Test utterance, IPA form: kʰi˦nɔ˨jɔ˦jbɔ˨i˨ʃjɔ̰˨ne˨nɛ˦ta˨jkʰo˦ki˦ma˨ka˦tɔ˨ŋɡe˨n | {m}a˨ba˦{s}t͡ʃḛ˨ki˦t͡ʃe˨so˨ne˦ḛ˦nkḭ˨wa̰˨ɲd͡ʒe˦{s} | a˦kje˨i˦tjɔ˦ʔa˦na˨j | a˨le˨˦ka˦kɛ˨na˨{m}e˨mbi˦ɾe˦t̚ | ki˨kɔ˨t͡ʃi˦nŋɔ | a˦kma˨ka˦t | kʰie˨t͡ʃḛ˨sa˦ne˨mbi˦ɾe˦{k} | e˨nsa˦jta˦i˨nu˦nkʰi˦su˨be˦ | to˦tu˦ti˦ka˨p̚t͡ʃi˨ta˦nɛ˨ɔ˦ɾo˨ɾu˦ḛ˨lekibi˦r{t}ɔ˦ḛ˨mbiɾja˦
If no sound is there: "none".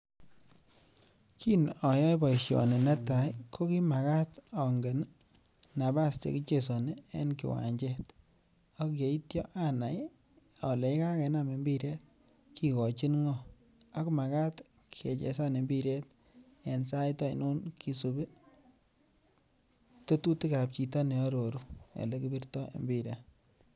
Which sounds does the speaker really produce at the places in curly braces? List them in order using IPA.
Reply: n, s, t, m, t, t

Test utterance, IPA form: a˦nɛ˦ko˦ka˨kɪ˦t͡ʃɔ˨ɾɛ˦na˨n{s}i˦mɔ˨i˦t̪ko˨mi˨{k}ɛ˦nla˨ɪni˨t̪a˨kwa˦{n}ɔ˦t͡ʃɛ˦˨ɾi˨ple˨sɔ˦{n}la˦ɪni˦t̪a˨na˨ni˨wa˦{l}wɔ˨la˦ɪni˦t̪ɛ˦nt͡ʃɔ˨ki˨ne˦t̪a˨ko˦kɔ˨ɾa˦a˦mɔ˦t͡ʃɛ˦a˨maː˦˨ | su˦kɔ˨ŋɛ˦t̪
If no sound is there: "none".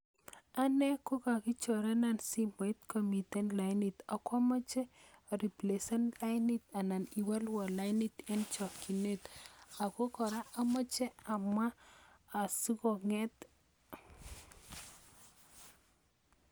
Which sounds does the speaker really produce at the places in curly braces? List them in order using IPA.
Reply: s, t, m, n, l

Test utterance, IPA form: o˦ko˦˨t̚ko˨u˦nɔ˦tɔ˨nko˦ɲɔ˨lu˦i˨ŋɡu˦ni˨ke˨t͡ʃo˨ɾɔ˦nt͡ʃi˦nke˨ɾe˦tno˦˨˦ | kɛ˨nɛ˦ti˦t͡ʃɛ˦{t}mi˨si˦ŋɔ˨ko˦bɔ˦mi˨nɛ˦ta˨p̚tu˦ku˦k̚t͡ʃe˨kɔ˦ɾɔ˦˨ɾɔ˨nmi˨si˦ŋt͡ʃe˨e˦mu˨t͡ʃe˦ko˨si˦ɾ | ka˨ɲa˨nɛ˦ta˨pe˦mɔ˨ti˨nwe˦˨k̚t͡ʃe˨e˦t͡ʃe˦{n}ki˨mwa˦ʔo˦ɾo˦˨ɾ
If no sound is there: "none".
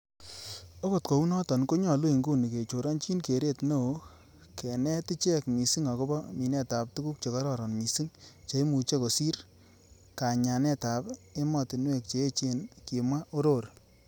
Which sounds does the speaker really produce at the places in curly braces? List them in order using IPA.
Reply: k, n

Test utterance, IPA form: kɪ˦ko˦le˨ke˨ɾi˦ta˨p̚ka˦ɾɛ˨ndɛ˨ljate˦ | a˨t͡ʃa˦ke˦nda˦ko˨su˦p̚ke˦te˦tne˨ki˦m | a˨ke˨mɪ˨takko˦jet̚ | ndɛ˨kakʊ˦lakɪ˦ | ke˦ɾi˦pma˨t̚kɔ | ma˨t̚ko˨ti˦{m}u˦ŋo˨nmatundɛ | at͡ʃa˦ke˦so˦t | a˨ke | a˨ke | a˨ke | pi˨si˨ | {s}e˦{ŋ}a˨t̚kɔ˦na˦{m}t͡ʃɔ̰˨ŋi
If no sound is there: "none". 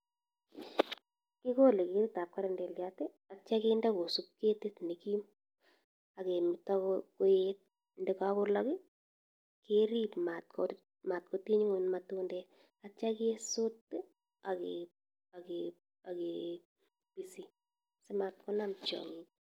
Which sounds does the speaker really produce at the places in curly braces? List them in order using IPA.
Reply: ɲ, s, m, m

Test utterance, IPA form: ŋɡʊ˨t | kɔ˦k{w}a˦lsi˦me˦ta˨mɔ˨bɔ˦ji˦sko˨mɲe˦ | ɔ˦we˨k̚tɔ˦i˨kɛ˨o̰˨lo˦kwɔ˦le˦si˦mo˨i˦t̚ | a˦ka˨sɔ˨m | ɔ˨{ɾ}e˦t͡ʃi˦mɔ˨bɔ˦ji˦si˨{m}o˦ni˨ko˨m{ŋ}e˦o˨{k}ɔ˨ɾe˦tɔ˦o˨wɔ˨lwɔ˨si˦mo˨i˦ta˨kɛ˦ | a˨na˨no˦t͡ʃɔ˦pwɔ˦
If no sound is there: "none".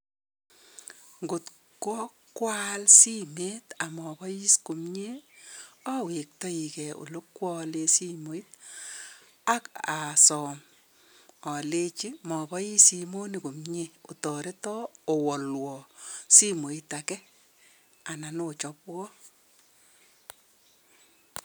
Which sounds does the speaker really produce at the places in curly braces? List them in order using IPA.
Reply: w, l, m, ɲ, t

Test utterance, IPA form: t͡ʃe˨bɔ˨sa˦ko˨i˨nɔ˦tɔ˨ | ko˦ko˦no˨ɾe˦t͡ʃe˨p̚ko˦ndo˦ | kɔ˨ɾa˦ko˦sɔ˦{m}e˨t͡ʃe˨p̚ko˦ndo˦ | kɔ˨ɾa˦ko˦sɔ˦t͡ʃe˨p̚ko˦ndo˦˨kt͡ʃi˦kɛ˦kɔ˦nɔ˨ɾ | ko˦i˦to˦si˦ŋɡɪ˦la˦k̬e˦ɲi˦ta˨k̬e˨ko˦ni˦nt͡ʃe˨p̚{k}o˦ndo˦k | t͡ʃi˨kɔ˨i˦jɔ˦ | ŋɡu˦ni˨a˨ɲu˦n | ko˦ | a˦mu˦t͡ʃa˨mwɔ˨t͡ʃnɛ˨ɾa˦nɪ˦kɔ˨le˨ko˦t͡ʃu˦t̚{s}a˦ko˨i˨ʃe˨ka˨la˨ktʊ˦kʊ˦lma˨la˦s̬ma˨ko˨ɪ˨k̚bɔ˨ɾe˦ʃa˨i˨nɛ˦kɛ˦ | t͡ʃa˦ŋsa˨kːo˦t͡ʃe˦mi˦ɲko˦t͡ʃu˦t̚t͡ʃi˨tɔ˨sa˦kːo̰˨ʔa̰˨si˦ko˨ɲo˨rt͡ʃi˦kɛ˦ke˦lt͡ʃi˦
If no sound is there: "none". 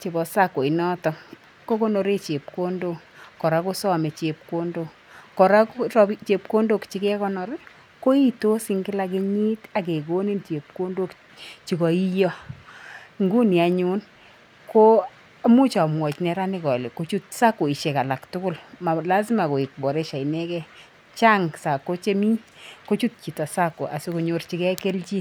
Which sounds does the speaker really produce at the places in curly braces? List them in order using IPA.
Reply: m, k, s

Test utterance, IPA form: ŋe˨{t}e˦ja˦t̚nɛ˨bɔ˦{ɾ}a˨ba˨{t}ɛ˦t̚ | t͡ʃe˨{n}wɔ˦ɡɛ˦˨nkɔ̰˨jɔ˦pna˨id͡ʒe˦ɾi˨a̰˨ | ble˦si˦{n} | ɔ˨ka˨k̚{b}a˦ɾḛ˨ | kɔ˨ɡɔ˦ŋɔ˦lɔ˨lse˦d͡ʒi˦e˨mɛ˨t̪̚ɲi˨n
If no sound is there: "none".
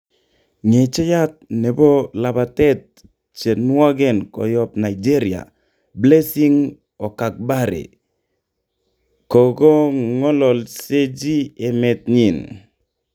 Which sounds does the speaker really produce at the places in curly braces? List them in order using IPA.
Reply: t͡ʃ, l, t, n, ŋ, b

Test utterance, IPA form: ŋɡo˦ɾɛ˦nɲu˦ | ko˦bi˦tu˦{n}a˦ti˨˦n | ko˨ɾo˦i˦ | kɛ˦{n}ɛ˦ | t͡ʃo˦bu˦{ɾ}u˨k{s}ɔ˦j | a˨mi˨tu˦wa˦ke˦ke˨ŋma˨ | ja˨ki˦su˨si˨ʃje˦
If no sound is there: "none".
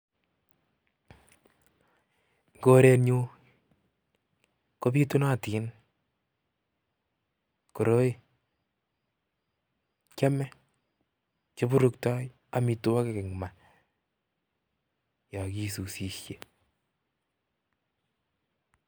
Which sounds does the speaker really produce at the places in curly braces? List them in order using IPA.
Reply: n, m, ɾ, t

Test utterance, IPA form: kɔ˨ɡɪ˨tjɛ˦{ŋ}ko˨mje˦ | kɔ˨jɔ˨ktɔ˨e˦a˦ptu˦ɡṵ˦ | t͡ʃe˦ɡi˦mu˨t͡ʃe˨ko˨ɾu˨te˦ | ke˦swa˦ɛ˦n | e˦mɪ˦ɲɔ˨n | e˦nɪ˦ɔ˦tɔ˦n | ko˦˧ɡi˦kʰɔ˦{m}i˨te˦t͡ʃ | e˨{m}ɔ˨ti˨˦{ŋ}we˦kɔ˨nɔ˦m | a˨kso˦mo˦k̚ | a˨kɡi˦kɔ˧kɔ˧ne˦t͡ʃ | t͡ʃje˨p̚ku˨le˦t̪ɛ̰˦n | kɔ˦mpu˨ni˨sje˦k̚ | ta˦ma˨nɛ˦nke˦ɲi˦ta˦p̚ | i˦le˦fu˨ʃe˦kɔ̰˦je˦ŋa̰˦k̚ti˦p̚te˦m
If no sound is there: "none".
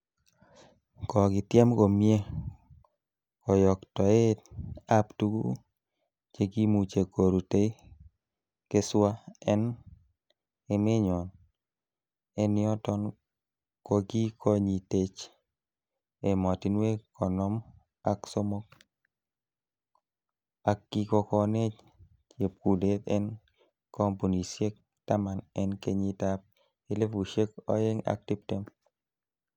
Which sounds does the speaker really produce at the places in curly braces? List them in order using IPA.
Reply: m, ɲ, m, n

